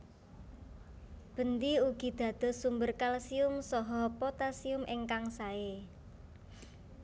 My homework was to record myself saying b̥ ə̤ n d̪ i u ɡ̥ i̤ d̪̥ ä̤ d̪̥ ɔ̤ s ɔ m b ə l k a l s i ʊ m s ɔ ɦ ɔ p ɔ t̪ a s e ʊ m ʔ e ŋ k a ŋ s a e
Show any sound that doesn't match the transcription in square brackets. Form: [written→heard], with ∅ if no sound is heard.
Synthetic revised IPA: b̥ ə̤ n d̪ i u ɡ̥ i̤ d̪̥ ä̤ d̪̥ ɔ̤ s [ɔ→u] m b ə [l→r] k a l s i ʊ m s ɔ ɦ ɔ p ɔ t̪ a s [e→i] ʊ m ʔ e ŋ k a ŋ s a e